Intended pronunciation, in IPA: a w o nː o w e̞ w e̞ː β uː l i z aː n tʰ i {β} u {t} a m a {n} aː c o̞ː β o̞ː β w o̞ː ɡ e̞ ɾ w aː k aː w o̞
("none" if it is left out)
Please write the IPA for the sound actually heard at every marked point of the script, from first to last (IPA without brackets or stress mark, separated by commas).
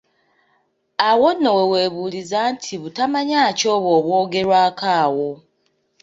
β, t, ɲ